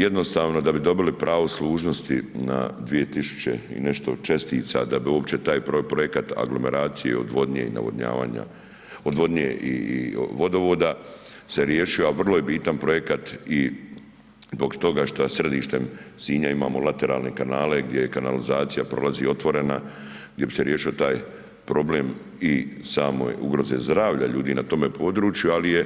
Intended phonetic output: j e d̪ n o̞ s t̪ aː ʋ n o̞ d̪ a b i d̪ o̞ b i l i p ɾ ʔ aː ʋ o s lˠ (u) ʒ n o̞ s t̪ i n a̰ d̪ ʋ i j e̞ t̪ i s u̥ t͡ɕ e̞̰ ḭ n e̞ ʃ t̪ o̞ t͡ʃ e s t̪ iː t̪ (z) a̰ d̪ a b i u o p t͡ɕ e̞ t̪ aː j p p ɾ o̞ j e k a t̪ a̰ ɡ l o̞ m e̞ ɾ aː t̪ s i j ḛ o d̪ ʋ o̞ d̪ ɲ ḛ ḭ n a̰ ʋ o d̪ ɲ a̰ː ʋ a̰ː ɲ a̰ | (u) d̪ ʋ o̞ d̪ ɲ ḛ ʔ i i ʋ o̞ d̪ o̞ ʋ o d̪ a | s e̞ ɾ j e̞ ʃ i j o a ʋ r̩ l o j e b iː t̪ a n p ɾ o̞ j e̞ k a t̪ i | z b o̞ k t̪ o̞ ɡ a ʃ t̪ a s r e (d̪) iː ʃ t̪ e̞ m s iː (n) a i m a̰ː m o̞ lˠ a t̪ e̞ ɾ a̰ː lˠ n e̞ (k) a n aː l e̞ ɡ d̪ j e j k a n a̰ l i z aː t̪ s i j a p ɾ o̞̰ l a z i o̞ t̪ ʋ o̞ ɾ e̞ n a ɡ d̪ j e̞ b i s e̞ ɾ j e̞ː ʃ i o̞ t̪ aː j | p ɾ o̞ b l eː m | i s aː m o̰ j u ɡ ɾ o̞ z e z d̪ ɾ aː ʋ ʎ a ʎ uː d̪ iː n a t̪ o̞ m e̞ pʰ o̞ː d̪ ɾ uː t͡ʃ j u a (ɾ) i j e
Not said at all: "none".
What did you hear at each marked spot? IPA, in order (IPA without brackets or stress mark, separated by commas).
uː, s, o, d̪, ɲ, k, l